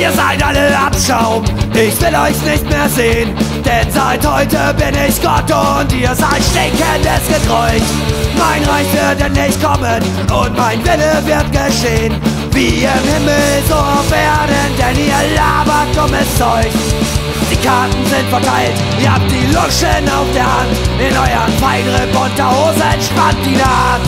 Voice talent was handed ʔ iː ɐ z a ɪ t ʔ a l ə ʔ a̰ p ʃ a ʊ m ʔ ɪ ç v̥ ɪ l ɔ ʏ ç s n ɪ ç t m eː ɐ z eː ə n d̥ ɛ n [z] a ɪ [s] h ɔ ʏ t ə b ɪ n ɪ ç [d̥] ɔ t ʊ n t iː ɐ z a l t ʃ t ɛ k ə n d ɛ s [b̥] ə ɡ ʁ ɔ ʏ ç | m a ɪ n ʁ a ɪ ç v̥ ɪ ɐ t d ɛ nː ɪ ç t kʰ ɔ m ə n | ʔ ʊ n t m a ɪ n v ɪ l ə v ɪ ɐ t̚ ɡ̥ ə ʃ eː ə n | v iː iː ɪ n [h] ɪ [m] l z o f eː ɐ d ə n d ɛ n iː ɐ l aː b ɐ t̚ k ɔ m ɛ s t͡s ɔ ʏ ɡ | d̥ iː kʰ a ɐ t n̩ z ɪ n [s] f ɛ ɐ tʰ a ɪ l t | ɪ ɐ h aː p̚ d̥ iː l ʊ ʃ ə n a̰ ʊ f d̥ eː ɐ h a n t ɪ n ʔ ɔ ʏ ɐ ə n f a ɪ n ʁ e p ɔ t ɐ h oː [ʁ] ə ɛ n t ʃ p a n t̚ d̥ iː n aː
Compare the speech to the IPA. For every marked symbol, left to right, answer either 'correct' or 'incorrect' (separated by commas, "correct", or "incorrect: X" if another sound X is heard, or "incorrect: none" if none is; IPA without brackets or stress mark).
correct, incorrect: t, incorrect: ɡ̥, incorrect: ɡ̥, correct, correct, incorrect: t, incorrect: z